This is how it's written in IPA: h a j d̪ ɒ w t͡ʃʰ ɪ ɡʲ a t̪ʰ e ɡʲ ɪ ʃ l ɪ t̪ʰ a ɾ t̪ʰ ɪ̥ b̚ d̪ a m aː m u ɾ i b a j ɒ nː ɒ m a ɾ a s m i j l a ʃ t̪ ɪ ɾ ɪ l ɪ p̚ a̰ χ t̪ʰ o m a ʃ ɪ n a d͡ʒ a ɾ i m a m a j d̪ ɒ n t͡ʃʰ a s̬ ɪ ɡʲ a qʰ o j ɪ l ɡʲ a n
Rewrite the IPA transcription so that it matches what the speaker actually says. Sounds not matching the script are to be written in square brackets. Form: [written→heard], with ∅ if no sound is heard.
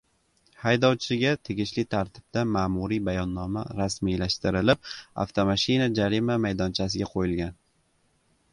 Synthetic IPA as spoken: h a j d̪ ɒ w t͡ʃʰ ɪ ɡʲ a t̪ʰ e ɡʲ ɪ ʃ l ɪ t̪ʰ a ɾ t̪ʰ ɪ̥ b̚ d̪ a m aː m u ɾ i b a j ɒ nː ɒ m a ɾ a s m i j l a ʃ t̪ ɪ ɾ ɪ l ɪ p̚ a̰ [χ→f] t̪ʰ o m a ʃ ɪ n a d͡ʒ a ɾ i m a m a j d̪ ɒ n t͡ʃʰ a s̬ ɪ ɡʲ a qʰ o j ɪ l ɡʲ a n